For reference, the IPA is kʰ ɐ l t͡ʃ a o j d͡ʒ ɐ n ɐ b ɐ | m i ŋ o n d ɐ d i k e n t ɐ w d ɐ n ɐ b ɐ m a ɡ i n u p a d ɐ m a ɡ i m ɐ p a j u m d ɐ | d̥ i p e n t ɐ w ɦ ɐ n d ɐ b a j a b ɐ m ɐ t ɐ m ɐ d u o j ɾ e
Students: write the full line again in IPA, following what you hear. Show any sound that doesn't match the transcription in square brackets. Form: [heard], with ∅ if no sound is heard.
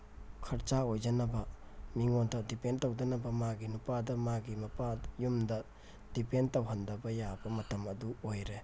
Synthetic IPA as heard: kʰ ɐ [ɾ] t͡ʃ a o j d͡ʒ ɐ n ɐ b ɐ | m i ŋ o n d ɐ d i [p] e n t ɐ w d ɐ n ɐ b ɐ m a ɡ i n u p a d ɐ m a ɡ i m ɐ p a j u m d ɐ | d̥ i p e n t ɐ w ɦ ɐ n d ɐ b [ɐ] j a b ɐ m ɐ t ɐ m ɐ d u o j ɾ e